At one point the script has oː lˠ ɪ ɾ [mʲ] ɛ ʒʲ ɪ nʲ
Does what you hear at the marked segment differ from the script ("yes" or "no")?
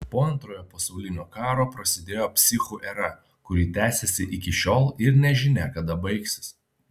yes